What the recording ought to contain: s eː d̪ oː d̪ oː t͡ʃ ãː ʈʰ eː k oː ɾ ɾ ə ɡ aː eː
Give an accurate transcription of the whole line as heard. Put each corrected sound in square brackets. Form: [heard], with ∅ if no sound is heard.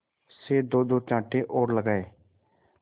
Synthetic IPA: s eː d̪ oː d̪ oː t͡ʃ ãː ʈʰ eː [ʔ] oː ɾ [l] ə ɡ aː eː